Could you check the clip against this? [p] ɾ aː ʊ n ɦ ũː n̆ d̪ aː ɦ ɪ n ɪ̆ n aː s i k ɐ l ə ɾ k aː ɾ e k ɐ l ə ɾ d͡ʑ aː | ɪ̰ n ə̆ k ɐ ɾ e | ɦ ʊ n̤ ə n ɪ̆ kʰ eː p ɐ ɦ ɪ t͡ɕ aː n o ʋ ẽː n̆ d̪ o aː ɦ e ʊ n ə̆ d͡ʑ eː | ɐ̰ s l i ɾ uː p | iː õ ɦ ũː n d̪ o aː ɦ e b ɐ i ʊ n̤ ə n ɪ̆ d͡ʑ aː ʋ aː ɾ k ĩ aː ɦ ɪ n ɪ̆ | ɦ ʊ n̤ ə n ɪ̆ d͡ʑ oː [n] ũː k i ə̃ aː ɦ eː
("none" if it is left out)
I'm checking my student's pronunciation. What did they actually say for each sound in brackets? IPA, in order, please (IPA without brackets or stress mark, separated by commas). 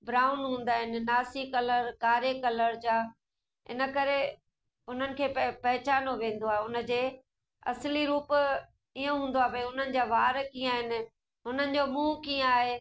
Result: b, m